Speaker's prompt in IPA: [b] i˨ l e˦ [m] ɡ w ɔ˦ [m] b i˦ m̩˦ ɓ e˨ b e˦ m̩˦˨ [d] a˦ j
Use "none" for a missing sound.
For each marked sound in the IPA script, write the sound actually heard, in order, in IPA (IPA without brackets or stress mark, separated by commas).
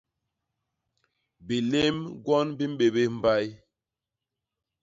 b, m, n, b